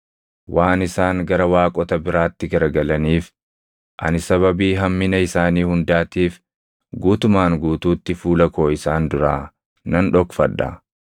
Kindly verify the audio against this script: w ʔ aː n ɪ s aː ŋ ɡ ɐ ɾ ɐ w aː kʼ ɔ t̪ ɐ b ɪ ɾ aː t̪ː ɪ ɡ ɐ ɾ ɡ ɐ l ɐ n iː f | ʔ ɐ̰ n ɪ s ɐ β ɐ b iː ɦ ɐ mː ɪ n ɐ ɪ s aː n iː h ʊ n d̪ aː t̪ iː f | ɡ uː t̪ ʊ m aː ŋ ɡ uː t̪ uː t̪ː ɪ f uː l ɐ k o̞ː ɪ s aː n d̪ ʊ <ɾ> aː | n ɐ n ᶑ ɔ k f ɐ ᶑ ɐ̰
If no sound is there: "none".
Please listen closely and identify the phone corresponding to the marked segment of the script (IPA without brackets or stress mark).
ɾ